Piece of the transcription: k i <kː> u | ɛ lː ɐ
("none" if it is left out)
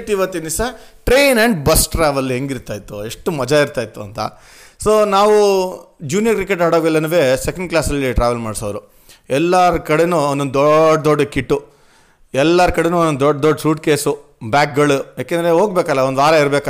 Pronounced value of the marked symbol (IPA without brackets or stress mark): ʈː